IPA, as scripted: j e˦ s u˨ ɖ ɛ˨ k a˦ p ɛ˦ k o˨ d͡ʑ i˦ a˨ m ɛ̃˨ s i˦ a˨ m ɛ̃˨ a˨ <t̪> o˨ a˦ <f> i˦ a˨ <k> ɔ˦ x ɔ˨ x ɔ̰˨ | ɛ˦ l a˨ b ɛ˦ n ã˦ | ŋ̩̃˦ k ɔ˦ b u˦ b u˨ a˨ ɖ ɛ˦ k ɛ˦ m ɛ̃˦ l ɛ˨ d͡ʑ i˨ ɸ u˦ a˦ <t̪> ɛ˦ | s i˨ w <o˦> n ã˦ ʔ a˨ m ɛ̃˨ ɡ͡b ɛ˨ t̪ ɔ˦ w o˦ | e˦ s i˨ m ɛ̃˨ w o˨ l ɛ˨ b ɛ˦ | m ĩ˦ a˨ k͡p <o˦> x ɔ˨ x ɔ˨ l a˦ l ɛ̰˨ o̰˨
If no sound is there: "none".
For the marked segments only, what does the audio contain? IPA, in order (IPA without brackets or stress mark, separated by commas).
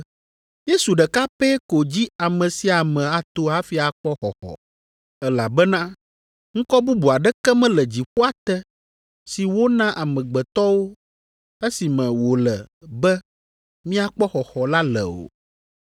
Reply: t̪, f, k͡p, t̪, o˦, ɔ˦